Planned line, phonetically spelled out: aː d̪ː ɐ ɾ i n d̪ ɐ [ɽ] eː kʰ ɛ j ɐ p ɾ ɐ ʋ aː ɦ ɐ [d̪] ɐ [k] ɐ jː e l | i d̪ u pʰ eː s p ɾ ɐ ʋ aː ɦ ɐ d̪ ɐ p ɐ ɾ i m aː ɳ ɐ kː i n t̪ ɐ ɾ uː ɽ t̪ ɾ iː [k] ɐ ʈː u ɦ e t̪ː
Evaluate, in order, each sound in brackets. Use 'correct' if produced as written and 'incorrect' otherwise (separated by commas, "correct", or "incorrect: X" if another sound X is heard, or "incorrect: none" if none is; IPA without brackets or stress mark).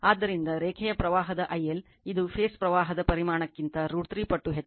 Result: incorrect: ɾ, correct, incorrect: ʔ, incorrect: p